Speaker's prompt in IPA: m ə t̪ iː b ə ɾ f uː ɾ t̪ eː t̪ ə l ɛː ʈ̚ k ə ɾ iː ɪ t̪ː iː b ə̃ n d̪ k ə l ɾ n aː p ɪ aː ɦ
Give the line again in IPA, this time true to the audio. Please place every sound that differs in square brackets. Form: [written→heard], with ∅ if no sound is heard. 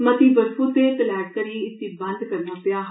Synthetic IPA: m ə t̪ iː b ə ɾ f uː [ɾ→∅] t̪ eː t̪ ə l ɛː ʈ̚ k ə ɾ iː ɪ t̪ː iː b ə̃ n d̪ k ə [l→∅] ɾ n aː p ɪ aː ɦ